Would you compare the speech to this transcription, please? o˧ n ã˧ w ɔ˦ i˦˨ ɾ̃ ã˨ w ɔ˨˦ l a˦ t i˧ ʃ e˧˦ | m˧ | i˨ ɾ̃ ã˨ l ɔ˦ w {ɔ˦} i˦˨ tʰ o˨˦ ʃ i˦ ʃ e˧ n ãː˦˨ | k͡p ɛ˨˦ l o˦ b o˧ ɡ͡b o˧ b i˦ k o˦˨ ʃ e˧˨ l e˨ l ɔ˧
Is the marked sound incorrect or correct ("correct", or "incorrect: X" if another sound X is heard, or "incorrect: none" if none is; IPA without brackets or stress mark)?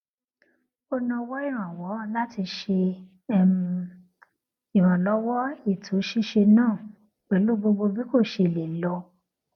correct